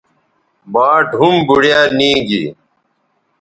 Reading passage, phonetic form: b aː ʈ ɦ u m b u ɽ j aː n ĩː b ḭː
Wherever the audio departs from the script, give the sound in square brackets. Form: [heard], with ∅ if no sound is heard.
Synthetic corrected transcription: b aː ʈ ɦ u m b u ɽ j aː n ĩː [ɡ] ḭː